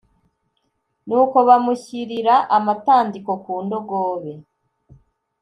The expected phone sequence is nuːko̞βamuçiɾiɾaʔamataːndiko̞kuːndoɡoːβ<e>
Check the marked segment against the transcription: correct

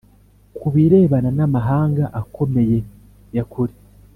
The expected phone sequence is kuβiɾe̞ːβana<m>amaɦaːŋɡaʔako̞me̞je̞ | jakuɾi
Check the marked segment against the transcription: incorrect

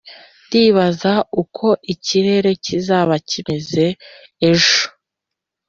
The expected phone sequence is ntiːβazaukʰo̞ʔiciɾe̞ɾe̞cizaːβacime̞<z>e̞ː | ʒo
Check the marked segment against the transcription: correct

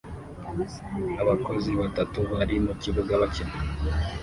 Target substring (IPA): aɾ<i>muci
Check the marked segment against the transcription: correct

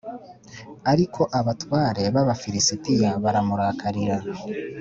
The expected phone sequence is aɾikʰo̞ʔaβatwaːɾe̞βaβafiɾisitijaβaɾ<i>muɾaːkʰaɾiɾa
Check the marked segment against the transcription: incorrect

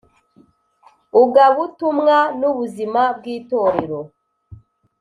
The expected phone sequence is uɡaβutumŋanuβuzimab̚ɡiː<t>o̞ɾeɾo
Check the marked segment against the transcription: correct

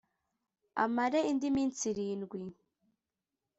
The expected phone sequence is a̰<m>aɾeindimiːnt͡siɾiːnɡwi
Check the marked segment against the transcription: correct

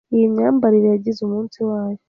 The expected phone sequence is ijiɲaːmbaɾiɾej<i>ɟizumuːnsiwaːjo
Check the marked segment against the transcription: incorrect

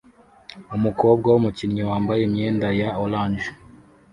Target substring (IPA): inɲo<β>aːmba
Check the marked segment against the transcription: incorrect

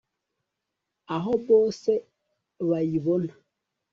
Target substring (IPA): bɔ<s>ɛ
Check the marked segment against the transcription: correct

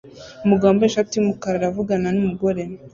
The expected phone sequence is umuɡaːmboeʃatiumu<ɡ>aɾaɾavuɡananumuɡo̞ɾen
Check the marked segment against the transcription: incorrect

